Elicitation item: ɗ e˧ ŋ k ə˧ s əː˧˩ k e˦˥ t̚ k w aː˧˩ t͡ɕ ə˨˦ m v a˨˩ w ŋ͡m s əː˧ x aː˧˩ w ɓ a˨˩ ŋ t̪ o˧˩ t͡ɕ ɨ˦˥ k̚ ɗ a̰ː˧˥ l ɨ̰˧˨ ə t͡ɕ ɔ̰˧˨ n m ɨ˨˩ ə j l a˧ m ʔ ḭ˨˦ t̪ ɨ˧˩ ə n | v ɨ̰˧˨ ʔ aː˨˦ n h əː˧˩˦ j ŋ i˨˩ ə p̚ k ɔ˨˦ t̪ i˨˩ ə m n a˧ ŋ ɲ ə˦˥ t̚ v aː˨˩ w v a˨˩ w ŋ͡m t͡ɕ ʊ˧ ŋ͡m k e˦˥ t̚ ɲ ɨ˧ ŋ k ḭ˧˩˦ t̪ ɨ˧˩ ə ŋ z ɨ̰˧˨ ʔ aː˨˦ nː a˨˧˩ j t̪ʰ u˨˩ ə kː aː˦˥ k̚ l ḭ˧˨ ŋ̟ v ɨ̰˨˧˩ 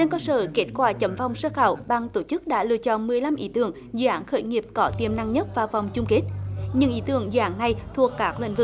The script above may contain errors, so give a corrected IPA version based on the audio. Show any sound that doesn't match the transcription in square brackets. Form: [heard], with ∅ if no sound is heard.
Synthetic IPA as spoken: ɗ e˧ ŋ k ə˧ s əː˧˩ k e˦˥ t̚ k w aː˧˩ t͡ɕ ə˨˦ m v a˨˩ w ŋ͡m s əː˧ x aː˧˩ w ɓ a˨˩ ŋ t̪ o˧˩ t͡ɕ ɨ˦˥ k̚ ɗ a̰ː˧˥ l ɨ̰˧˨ ə t͡ɕ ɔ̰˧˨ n m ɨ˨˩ ə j l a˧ m ʔ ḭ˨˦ t̪ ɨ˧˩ ə [ŋ] | [z] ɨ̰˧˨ ʔ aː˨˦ n [x] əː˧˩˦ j ŋ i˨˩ ə p̚ k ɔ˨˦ t̪ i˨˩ ə m n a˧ ŋ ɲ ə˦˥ t̚ v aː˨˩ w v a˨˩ w ŋ͡m t͡ɕ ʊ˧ ŋ͡m k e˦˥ t̚ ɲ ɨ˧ ŋ [ʔ] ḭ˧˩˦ t̪ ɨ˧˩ ə ŋ z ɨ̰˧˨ ʔ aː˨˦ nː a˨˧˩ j t̪ʰ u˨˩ ə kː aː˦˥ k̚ l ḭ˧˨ ŋ̟ v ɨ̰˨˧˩